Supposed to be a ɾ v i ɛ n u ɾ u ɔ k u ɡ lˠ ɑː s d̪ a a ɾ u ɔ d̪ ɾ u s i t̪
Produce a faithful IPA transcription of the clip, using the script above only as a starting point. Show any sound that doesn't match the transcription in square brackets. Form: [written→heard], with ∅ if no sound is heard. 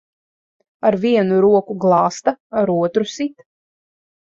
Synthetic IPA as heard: a ɾ v i ɛ n u ɾ u ɔ k u ɡ lˠ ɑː s [d̪→t̪] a a ɾ u ɔ [d̪→t̪] ɾ u s i t̪

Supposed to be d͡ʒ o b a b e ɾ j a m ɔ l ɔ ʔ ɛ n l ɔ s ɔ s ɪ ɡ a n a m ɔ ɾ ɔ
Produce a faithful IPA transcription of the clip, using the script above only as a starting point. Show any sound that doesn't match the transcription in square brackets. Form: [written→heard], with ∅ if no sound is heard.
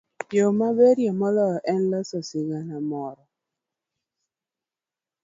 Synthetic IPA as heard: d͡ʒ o [b→m] a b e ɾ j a m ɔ l ɔ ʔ ɛ n l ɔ s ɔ s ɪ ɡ a n a m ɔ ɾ ɔ

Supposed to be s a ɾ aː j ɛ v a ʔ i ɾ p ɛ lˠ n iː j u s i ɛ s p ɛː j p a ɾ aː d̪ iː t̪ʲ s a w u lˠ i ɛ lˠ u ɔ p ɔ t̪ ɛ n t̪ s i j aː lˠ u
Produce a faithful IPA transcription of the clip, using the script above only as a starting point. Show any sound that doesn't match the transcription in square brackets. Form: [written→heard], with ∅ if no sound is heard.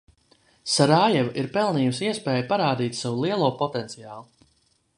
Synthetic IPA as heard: s a ɾ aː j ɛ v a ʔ i ɾ p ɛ lˠ n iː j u s i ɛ s p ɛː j p a ɾ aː d̪ iː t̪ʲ s a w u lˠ i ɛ lˠ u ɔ p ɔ t̪ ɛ n t̪ s i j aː lˠ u

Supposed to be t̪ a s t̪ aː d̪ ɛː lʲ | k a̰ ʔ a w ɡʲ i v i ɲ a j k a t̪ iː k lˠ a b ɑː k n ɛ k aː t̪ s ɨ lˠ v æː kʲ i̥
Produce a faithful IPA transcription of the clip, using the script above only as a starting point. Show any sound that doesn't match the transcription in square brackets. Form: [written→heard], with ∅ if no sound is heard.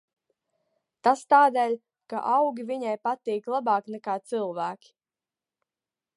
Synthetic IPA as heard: t̪ a s t̪ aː d̪ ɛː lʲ | k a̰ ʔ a w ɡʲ i v i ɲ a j [k→p] a t̪ iː k lˠ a b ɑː k n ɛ k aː t̪ s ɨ lˠ v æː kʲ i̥

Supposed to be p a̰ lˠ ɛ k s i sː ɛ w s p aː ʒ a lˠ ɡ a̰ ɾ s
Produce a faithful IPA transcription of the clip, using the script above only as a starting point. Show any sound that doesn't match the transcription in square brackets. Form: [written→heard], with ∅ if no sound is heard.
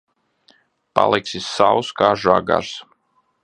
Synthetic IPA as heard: p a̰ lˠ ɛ k s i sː [ɛ→a] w s [p→k] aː ʒ a [lˠ→∅] ɡ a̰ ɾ s

